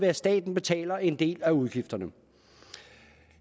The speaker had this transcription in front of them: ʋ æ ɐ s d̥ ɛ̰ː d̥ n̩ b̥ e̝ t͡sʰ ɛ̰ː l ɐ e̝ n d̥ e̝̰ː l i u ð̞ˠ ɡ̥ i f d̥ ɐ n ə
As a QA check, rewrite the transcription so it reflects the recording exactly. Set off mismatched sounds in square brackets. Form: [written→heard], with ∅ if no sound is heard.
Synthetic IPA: ʋ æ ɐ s d̥ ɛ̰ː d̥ n̩ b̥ e̝ t͡sʰ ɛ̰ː l ɐ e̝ n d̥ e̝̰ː l [i→æ] u ð̞ˠ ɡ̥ i f d̥ ɐ n ə